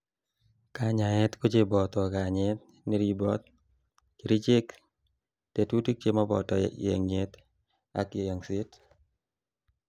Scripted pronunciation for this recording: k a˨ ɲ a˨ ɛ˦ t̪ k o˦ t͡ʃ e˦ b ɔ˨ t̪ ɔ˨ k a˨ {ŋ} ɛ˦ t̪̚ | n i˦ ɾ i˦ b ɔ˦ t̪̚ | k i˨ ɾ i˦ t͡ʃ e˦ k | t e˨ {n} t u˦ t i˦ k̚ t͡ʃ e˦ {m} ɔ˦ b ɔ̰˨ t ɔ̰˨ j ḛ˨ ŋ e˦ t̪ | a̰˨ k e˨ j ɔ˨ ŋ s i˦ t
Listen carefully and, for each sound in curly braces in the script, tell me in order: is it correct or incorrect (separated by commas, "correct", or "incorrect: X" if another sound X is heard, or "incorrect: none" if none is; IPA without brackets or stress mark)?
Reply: incorrect: ɲ, incorrect: none, correct